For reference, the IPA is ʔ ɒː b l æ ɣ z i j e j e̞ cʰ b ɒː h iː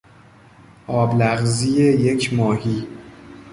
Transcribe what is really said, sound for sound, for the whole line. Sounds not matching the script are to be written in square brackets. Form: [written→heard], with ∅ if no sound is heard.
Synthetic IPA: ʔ ɒː b l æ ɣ z i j e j e̞ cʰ [b→m] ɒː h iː

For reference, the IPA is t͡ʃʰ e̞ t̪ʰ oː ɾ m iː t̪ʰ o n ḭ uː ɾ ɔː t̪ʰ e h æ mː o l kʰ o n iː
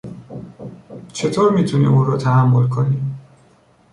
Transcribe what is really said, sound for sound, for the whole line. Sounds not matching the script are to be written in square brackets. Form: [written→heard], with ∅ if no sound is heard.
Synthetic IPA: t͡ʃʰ e̞ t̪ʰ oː ɾ m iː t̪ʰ [o→u] n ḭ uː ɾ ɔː t̪ʰ [e→æ] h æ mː o l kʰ o n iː

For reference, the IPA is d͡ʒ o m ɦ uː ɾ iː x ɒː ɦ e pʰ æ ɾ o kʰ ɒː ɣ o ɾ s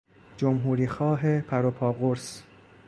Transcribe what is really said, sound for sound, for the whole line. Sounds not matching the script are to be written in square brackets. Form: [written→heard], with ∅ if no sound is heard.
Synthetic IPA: d͡ʒ o m ɦ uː ɾ iː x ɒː ɦ e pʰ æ ɾ o [kʰ→pʰ] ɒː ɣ o ɾ s

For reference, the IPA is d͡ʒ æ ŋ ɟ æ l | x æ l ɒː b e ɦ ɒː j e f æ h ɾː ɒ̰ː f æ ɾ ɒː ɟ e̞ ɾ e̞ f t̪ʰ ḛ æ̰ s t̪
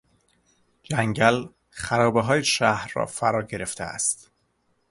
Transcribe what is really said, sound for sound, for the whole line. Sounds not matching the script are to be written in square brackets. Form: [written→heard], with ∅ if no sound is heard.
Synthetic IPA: d͡ʒ æ ŋ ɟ æ l | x æ [l→ɾ] ɒː b e ɦ ɒː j e [f→ʃ] æ h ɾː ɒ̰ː f æ ɾ ɒː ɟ e̞ ɾ e̞ f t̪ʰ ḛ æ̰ s t̪

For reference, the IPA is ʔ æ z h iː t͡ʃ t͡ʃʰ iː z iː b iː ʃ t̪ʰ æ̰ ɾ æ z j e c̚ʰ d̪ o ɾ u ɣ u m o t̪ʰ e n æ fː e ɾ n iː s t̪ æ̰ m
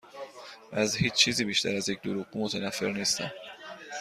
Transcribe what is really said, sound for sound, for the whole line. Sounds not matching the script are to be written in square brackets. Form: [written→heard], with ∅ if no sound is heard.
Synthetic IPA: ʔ æ z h iː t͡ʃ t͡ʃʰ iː z iː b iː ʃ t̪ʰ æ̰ ɾ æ z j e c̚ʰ d̪ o ɾ u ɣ u m o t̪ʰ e n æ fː e ɾ n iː s t̪ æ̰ m

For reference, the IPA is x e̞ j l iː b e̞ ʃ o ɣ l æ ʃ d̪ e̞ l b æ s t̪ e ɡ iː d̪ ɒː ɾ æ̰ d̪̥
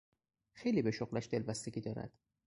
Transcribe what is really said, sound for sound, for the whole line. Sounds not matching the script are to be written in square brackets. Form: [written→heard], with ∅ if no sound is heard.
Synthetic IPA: x e̞ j l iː b e̞ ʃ o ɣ l æ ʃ d̪ e̞ l b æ s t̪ e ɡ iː d̪ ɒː ɾ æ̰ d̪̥

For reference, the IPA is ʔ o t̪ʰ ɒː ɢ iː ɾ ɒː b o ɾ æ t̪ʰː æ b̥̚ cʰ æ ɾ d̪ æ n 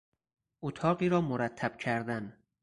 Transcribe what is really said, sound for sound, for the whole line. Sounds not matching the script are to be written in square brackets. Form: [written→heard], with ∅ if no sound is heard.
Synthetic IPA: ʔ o t̪ʰ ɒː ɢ iː ɾ ɒː [b→m] o ɾ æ t̪ʰː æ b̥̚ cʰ æ ɾ d̪ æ n

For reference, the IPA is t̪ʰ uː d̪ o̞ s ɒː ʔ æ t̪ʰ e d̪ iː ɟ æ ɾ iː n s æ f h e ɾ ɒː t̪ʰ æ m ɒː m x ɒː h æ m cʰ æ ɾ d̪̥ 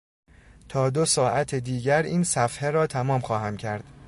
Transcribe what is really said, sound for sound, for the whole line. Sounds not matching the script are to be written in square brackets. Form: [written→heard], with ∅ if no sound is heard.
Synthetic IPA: t̪ʰ [uː→ɒː] d̪ o̞ s ɒː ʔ æ t̪ʰ e d̪ iː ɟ æ ɾ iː n s æ f h e ɾ ɒː t̪ʰ æ m ɒː m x ɒː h æ m cʰ æ ɾ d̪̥

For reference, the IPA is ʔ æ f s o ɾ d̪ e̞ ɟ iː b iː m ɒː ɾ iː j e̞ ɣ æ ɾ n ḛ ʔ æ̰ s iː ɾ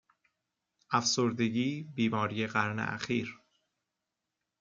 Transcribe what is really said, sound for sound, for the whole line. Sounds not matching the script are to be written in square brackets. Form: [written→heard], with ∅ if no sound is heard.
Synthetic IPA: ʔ æ f s o ɾ d̪ e̞ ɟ iː b iː m ɒː ɾ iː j e̞ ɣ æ ɾ n ḛ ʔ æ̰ [s→x] iː ɾ

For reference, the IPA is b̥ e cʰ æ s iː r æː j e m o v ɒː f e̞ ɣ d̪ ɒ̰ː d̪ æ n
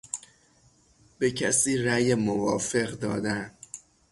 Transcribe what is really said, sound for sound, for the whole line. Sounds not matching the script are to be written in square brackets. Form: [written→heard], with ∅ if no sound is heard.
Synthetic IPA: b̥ e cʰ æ s iː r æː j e m o v ɒː f e̞ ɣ d̪ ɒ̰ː d̪ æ n

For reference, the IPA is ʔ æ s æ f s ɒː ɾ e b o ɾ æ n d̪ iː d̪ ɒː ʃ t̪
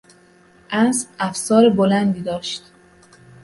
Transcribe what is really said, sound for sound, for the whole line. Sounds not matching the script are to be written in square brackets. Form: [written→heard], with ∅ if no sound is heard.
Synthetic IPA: ʔ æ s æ f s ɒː ɾ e b o [ɾ→l] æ n d̪ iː d̪ ɒː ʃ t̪

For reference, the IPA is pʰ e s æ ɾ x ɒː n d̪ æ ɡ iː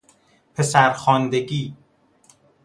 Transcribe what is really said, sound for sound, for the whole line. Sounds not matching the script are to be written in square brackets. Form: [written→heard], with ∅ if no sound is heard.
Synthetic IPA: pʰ e s æ ɾ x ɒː n d̪ [æ→e] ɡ iː

